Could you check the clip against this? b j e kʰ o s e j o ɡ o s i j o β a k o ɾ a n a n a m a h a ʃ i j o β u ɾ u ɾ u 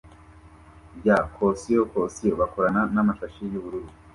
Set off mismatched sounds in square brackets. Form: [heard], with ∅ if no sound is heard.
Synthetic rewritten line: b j [a] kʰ o s [i] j o [k] o s i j o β a k o ɾ a n a n a m a [ʃ] a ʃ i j [u] β u ɾ u ɾ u